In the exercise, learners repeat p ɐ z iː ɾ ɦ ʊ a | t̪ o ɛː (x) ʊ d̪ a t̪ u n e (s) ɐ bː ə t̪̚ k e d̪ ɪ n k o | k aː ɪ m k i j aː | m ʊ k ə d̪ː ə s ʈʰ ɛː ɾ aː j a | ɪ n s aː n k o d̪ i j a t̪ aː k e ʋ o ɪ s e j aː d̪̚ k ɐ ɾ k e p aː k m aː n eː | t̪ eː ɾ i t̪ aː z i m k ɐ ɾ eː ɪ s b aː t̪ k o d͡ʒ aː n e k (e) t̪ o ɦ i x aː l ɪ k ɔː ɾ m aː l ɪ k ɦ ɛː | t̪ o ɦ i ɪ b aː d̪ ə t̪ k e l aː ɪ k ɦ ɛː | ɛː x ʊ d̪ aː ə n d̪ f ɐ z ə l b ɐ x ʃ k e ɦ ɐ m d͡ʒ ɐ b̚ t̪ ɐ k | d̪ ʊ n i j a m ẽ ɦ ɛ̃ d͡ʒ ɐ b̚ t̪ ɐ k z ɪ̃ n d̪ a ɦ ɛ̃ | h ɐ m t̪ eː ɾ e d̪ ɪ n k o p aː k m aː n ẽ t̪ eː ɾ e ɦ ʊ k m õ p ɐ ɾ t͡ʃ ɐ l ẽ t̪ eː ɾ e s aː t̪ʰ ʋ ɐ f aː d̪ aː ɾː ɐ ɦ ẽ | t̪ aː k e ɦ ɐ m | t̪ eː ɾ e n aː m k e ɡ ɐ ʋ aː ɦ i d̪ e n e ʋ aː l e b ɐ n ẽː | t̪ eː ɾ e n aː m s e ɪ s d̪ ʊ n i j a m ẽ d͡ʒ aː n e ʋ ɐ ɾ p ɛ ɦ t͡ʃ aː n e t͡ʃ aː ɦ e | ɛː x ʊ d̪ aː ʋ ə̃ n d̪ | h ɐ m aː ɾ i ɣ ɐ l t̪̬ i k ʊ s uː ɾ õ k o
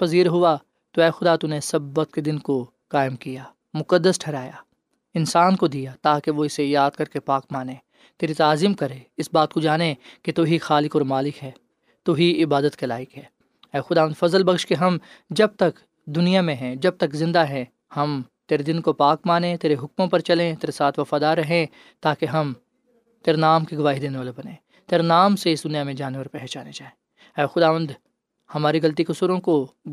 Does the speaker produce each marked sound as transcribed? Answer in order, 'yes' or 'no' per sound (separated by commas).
yes, yes, yes